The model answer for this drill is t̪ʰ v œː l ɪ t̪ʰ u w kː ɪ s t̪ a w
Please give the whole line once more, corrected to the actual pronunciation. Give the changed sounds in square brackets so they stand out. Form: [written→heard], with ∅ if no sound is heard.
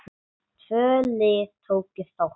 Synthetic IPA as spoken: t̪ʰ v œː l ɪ t̪ʰ [u→o] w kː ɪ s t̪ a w